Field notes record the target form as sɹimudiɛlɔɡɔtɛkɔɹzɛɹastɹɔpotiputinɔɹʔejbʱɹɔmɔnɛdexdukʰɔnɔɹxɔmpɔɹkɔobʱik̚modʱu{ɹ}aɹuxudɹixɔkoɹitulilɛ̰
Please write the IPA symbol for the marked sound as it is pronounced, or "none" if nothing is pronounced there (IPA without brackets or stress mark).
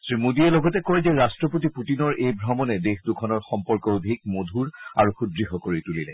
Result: ɹ